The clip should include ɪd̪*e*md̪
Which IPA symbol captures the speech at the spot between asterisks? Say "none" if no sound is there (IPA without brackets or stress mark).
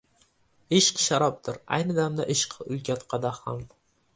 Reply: a